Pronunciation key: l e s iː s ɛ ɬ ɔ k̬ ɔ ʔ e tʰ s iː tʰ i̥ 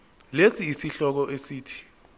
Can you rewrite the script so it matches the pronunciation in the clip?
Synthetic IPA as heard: l e s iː s i ɬ ɔ k̬ ɔ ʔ e s iː tʰ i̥